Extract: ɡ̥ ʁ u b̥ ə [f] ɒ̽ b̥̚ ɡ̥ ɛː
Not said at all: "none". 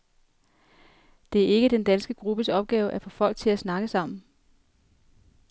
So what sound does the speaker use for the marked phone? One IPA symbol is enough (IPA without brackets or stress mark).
s